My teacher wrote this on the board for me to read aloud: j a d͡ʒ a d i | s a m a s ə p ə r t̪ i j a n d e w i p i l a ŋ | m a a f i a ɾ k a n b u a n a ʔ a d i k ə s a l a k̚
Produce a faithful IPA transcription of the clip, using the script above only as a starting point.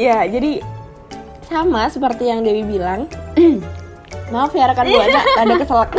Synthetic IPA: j a d͡ʒ a d i | s a m a s ə p ə r t̪ i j a ŋ d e w i b i l a ŋ | m a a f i a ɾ k a n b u a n a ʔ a d a k ə s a l a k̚